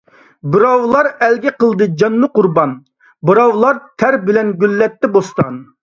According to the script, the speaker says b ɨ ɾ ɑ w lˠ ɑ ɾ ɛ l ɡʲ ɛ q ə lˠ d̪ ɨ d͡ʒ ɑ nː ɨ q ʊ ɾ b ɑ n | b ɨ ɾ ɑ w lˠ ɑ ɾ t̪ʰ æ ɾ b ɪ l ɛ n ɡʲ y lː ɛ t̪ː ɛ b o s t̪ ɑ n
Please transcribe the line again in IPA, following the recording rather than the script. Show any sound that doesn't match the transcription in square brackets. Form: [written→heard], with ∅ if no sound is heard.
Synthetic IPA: b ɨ ɾ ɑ w lˠ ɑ ɾ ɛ l ɡʲ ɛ q ə lˠ d̪ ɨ d͡ʒ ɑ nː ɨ q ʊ ɾ b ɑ n | b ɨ ɾ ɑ w lˠ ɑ ɾ t̪ʰ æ ɾ b ɪ l ɛ n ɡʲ y lː ɛ t̪ː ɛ b o s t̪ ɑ n